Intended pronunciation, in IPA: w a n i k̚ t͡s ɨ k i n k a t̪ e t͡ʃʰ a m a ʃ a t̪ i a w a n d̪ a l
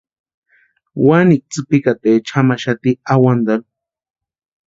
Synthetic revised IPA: w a n i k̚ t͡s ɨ p i k a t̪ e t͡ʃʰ a m a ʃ a t̪ i a w a n d̪ a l